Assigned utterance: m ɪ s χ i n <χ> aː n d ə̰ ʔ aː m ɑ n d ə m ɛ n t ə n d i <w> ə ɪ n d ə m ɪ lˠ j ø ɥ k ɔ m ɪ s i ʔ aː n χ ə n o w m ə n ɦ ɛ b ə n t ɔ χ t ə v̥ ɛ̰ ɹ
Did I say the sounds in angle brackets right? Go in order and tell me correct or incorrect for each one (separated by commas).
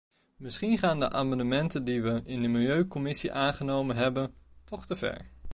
correct, incorrect